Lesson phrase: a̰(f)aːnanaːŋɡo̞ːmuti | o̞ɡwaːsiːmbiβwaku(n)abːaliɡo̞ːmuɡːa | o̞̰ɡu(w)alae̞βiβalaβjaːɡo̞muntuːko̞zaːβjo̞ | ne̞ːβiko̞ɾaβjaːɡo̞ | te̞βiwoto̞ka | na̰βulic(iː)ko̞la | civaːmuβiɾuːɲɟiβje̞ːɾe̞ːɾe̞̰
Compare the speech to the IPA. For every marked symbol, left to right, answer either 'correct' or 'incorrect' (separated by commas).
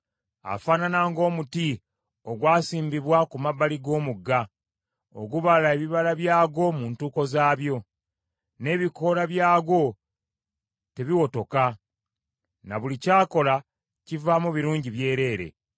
correct, incorrect, incorrect, incorrect